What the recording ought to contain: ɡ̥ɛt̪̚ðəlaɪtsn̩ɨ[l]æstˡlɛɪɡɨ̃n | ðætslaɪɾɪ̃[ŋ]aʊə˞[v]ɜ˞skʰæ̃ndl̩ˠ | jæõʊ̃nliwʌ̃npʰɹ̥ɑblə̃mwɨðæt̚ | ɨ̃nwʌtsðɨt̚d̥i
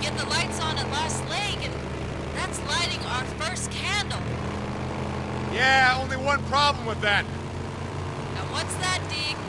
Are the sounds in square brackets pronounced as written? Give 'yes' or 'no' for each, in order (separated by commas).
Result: yes, yes, no